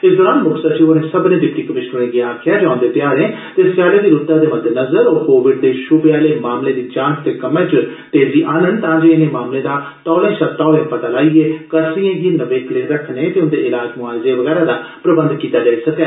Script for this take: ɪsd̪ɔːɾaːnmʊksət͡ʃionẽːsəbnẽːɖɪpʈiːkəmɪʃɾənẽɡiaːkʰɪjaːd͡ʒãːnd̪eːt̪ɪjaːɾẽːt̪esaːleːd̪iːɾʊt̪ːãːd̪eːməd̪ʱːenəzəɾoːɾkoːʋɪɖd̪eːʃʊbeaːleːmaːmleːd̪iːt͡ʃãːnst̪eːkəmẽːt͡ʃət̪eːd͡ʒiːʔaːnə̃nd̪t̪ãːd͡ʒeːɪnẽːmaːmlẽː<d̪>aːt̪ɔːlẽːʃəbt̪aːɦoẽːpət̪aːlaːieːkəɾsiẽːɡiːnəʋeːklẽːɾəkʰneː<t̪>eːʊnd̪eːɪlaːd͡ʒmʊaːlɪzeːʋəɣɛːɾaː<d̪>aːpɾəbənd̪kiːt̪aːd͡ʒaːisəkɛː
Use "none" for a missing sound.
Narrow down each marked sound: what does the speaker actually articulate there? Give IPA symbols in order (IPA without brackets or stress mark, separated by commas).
d̪, t̪, d̪